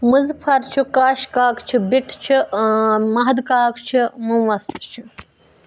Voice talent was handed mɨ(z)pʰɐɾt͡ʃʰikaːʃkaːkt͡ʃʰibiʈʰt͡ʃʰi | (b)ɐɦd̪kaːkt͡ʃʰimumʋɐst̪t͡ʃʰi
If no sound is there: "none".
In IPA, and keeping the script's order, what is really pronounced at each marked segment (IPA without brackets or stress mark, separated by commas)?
z, m